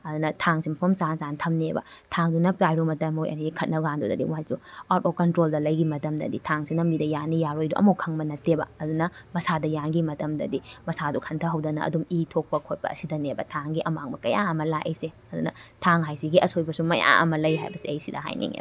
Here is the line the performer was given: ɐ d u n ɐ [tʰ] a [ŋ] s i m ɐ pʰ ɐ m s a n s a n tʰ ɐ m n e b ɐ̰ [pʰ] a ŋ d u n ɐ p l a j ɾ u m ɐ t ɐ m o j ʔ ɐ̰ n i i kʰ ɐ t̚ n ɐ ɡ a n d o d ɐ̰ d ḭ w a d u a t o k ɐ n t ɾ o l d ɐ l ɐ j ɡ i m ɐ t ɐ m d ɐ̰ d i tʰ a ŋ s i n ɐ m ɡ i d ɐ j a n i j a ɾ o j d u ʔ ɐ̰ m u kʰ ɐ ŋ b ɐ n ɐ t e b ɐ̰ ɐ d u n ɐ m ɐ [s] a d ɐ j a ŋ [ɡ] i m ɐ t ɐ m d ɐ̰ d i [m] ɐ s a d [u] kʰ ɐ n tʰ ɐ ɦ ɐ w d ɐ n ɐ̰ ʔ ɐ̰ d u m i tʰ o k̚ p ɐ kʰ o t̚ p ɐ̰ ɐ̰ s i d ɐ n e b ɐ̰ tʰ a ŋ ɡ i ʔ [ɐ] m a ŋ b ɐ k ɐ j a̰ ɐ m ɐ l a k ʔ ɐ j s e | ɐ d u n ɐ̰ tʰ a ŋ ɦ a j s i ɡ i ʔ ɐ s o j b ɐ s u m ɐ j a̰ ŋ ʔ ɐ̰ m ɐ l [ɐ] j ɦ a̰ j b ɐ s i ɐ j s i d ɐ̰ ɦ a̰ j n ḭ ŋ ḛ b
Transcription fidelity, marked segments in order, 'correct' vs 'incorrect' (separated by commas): correct, correct, incorrect, correct, correct, correct, correct, correct, correct